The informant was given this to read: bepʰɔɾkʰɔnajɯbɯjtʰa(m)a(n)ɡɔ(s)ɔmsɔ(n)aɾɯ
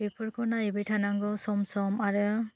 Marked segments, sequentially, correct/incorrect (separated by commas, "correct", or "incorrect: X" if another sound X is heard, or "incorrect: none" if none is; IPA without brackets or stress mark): incorrect: n, incorrect: ŋ, correct, incorrect: m